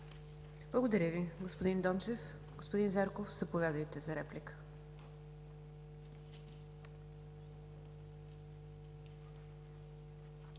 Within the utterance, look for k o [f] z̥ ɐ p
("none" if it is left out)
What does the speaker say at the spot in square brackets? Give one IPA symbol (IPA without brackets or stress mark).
f